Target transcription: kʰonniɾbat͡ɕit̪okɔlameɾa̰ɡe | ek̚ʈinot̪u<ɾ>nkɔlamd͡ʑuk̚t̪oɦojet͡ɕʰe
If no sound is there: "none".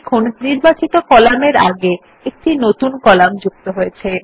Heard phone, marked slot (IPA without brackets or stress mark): none